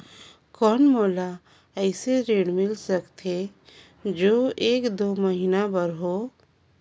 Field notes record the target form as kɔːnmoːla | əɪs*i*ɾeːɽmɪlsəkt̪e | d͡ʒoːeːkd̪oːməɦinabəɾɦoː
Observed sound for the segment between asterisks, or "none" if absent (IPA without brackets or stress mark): e